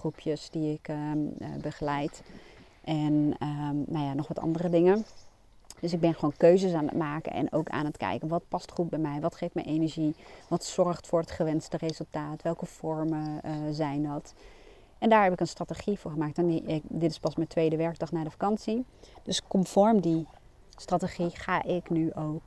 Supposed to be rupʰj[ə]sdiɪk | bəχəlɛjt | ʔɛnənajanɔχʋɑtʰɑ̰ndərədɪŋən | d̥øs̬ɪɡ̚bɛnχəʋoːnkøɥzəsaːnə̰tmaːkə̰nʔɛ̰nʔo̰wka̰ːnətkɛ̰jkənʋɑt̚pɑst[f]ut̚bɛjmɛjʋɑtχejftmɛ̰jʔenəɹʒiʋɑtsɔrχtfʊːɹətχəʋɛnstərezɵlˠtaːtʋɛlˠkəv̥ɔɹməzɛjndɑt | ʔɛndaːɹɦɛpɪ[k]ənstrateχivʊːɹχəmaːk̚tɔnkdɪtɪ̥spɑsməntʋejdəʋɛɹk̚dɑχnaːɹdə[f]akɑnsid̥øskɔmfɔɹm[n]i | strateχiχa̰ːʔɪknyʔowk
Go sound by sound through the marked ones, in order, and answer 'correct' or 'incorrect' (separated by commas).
correct, incorrect, correct, correct, incorrect